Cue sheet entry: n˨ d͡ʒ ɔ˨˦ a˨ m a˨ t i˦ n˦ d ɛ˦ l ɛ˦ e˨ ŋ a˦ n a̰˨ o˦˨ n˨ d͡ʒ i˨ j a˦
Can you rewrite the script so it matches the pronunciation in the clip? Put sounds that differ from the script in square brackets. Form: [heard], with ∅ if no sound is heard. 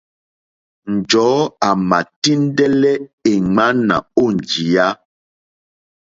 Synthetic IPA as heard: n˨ d͡ʒ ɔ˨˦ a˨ m a˨ t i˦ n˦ d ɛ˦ l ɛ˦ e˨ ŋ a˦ n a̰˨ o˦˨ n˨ d͡ʒ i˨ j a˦